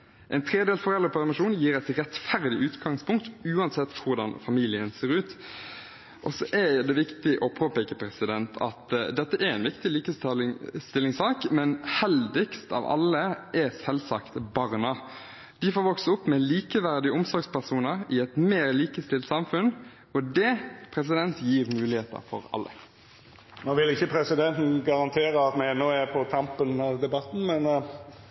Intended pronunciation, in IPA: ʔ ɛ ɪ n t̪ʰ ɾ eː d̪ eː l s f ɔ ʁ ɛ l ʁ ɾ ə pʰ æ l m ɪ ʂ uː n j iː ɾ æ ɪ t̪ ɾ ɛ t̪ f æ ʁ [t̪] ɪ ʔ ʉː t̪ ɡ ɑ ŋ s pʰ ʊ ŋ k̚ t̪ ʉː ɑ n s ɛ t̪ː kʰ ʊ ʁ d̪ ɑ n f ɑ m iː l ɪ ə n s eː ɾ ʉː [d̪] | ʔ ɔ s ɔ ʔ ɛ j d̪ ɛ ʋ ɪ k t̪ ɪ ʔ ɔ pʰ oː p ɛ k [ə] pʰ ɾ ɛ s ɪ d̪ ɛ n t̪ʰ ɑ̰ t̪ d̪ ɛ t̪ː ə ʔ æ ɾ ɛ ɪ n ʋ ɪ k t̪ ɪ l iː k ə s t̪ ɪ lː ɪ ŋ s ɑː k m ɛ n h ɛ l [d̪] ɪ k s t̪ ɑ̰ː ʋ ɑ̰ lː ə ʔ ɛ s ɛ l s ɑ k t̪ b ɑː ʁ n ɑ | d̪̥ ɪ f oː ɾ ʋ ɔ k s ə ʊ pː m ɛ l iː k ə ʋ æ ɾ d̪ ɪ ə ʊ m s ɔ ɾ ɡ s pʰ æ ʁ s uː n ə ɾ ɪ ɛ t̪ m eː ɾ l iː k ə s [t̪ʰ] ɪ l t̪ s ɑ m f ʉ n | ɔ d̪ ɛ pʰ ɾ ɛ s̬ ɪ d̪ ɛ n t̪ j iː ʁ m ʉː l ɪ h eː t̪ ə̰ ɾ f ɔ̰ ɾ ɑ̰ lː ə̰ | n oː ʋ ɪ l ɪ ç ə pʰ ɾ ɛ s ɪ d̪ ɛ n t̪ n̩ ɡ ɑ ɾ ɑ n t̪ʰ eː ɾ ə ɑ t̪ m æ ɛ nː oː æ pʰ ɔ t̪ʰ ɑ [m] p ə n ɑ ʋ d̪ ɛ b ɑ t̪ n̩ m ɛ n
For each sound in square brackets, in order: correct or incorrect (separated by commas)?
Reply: incorrect, incorrect, correct, correct, incorrect, correct